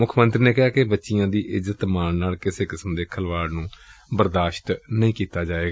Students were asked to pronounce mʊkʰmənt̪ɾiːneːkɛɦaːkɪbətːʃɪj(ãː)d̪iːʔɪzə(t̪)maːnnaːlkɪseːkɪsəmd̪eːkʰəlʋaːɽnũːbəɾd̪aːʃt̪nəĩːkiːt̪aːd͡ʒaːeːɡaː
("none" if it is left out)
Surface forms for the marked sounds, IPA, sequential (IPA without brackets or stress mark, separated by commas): ãː, t̪